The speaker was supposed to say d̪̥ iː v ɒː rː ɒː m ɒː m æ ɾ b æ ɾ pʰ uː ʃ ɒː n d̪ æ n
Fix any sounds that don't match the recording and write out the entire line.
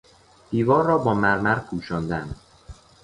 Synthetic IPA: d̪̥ iː v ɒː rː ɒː b ɒː m æ ɾ m æ ɾ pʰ uː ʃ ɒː n d̪ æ n

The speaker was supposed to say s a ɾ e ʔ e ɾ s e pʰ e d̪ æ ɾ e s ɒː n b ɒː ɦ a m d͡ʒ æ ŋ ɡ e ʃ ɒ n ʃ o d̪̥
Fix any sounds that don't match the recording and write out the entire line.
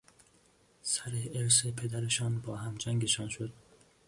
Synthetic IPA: s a ɾ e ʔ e ɾ s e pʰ e d̪ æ ɾ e ʃ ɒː n b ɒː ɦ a m d͡ʒ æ ŋ ɡ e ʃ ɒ n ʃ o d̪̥

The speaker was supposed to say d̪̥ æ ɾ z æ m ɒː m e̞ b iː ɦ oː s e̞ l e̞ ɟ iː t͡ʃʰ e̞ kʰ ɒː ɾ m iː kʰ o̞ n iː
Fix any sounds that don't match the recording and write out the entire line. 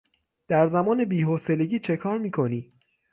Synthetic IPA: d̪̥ æ ɾ z æ m ɒː n e̞ b iː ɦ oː s e̞ l e̞ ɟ iː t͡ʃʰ e̞ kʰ ɒː ɾ m iː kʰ o̞ n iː

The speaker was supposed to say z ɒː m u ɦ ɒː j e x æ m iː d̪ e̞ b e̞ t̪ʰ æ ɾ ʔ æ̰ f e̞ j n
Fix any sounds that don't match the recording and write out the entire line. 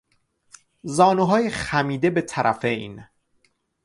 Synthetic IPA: z ɒː n u ɦ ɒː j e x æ m iː d̪ e̞ b e̞ t̪ʰ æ ɾ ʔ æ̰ f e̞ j n

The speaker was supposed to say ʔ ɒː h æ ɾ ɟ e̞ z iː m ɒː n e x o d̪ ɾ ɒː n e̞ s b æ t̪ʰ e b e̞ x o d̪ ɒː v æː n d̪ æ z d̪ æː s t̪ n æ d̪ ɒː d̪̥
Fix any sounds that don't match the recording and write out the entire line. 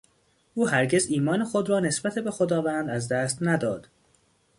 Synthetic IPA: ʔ uː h æ ɾ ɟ e̞ z iː m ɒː n e x o d̪ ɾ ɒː n e̞ s b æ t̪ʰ e b e̞ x o d̪ ɒː v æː n d̪ æ z d̪ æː s t̪ n æ d̪ ɒː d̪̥

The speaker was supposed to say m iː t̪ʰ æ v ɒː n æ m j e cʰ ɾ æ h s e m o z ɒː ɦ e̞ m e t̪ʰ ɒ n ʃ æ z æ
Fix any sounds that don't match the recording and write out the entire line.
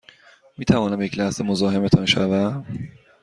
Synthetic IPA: m iː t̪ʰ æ v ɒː n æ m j e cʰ l æ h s e m o z ɒː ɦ e̞ m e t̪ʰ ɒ n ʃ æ v æ

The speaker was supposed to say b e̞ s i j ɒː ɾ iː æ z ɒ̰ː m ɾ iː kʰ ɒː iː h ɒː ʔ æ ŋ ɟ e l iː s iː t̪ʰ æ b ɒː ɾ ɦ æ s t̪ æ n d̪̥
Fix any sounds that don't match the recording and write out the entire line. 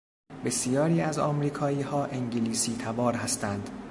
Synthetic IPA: b e̞ s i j ɒː ɾ iː æ z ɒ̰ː m ɾ iː kʰ ɒː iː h ɒː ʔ e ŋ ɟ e l iː s iː t̪ʰ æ b ɒː ɾ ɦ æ s t̪ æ n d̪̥

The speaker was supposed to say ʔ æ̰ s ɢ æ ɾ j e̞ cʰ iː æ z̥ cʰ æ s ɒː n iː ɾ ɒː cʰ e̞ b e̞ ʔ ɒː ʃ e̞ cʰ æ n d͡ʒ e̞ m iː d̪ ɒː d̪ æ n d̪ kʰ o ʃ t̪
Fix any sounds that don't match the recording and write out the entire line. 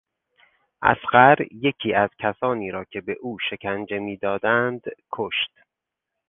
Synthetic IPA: ʔ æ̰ s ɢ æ ɾ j e̞ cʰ iː æ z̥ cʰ æ s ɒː n iː ɾ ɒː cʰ e̞ b e̞ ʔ uː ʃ e̞ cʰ æ n d͡ʒ e̞ m iː d̪ ɒː d̪ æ n d̪ kʰ o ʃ t̪

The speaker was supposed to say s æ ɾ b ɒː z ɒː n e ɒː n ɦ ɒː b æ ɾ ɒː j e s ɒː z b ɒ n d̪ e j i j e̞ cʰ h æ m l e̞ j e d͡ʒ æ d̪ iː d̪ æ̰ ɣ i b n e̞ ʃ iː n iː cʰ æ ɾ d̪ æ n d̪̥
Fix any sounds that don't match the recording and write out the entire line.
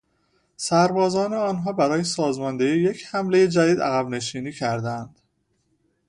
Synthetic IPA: s æ ɾ b ɒː z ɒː n e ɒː n ɦ ɒː b æ ɾ ɒː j e s ɒː z m ɒ n d̪ e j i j e̞ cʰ h æ m l e̞ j e d͡ʒ æ d̪ iː d̪ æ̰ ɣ æ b n e̞ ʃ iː n iː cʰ æ ɾ d̪ æ n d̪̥

